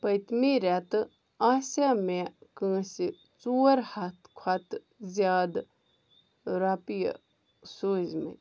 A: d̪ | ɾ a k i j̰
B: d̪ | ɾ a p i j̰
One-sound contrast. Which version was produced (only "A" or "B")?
B